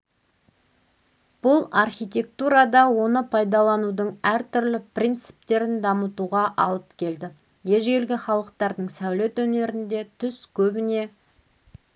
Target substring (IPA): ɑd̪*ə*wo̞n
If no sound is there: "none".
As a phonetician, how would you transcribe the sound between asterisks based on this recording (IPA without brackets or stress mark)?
ɑ